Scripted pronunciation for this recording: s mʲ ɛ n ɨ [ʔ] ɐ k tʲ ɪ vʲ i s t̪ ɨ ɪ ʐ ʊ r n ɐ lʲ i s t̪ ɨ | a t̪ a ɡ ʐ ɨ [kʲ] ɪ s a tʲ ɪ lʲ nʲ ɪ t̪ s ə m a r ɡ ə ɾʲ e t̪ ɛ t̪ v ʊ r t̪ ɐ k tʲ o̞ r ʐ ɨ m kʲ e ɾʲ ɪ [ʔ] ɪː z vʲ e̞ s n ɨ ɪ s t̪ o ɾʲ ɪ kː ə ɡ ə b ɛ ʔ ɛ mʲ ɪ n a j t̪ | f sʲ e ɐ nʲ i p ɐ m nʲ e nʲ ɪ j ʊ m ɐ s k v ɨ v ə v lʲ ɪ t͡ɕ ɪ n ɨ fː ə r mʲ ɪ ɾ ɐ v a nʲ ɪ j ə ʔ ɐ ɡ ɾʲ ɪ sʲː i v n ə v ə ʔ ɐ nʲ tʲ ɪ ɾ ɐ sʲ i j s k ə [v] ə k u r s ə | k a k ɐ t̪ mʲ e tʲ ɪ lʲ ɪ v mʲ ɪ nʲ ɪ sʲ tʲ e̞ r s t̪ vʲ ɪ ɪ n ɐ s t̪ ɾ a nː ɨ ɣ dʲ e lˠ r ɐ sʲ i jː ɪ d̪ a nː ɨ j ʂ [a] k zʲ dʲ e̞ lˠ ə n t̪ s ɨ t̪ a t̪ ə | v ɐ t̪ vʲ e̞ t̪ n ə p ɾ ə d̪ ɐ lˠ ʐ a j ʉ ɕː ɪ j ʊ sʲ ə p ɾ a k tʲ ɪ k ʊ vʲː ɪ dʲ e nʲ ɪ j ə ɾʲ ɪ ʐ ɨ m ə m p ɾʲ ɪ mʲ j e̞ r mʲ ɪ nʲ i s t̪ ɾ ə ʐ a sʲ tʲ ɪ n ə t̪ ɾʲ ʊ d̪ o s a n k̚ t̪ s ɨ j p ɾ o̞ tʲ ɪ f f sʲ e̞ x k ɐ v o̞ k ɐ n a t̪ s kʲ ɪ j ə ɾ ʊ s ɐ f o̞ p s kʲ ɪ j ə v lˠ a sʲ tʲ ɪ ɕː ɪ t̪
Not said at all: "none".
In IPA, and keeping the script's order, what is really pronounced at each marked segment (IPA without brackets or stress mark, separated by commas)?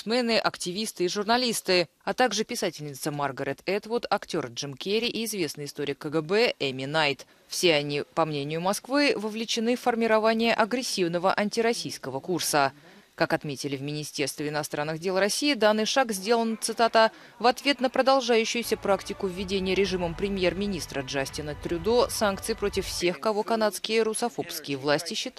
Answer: ʔ, pʲ, ʔ, v, a